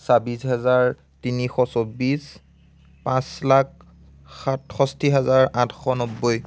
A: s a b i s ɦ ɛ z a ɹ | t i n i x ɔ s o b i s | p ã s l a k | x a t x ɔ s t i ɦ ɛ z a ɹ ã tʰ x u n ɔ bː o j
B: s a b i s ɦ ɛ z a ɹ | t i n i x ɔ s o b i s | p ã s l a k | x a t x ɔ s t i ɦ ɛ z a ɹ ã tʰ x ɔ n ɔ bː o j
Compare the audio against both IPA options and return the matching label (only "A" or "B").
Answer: B